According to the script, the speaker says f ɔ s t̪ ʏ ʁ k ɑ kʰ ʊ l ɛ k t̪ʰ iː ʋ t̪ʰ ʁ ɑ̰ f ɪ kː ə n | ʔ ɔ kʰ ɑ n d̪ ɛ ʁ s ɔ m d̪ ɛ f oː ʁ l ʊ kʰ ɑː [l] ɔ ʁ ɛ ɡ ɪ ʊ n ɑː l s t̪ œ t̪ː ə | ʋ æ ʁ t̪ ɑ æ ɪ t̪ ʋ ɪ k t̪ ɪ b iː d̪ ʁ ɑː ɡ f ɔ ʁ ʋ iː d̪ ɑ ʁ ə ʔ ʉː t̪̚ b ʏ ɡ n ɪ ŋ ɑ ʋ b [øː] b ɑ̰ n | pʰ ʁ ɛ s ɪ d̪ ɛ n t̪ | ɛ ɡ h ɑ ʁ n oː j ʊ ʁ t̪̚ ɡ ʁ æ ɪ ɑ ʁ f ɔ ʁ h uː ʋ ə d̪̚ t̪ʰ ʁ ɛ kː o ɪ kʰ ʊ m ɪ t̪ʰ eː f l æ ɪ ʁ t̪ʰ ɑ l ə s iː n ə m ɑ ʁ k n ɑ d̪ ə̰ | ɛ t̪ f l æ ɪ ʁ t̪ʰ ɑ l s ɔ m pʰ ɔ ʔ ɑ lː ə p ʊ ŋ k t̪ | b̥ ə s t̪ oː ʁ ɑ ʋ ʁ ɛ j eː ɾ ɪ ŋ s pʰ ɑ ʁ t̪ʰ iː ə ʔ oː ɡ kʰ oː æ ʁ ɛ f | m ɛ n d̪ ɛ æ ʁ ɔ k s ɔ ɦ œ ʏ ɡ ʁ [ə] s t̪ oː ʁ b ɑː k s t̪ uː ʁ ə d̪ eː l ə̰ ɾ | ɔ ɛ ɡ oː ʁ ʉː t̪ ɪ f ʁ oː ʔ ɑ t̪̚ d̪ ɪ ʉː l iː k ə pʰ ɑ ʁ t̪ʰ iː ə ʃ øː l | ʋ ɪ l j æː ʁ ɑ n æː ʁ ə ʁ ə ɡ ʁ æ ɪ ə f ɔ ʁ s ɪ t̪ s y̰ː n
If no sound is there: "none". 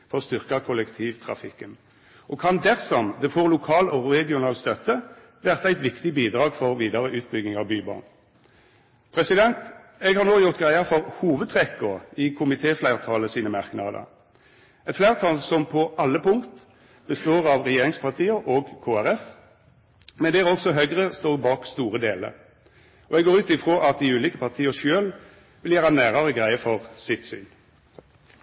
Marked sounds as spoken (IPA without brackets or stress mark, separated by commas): l, yː, ə